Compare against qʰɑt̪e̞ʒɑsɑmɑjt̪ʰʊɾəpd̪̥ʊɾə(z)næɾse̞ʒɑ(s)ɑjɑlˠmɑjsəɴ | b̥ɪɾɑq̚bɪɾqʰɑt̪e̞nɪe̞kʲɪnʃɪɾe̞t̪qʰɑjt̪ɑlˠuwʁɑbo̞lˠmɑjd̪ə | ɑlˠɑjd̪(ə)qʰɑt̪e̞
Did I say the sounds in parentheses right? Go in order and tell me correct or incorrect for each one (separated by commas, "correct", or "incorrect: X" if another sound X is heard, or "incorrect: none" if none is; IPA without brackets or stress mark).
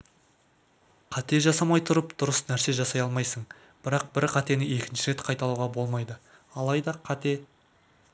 incorrect: s, correct, incorrect: ɑ